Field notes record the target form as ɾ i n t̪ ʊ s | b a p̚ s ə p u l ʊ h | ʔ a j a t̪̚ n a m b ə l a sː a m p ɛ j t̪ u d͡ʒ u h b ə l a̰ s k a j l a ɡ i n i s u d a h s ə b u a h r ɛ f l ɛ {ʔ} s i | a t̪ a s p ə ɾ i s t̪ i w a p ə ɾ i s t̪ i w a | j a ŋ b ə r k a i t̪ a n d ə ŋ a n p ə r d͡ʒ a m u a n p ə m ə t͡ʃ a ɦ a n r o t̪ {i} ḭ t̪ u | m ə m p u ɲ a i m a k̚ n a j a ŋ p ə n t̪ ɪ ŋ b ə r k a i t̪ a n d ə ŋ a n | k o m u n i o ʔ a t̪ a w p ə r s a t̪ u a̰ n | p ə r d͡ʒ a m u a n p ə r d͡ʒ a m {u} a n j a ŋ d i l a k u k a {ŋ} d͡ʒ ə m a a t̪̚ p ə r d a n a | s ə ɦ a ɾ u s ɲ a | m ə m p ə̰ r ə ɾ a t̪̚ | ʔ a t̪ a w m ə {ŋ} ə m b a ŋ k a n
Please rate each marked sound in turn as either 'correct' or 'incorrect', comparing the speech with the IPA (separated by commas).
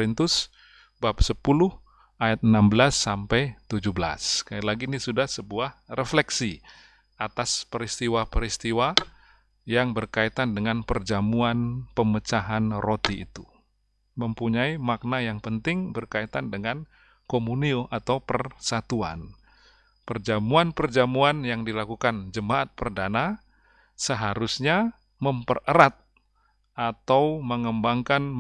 incorrect, correct, correct, incorrect, correct